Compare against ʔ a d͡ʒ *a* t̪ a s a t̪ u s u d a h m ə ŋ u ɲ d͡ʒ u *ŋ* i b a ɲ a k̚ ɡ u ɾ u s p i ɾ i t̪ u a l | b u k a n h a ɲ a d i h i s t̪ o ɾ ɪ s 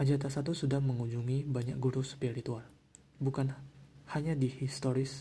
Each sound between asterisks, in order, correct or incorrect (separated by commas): correct, correct